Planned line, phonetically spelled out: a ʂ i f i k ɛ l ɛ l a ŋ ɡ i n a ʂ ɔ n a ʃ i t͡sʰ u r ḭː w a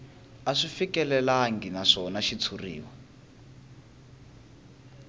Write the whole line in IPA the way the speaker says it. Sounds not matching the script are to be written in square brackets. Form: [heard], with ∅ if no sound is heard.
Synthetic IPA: a ʂ i f i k ɛ l ɛ l a ŋ ɡ i n a ʂ ɔ n a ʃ i t͡sʰ u r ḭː w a